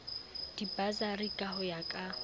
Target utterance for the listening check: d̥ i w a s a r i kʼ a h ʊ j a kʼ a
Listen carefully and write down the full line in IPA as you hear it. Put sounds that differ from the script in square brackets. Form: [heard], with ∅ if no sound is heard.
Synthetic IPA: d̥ i [b] a [z] a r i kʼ a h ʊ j a kʼ a